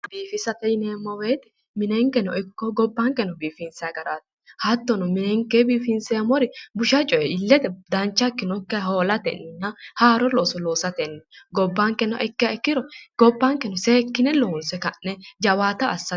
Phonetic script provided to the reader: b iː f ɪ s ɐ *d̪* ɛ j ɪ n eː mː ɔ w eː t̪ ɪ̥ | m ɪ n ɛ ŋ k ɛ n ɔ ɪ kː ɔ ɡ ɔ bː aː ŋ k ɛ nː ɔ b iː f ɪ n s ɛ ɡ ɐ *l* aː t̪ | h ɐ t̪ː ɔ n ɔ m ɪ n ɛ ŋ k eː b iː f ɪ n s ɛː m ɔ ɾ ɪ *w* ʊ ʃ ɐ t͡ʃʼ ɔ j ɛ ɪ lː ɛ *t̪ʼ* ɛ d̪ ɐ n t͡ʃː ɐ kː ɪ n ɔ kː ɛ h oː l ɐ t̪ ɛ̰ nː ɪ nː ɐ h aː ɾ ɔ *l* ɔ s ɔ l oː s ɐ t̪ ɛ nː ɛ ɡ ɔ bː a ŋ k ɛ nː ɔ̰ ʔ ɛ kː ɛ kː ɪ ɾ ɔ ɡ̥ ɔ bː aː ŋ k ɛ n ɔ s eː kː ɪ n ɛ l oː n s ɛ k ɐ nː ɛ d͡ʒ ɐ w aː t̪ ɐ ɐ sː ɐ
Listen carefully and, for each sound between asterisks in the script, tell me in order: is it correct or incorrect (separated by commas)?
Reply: incorrect, incorrect, incorrect, incorrect, correct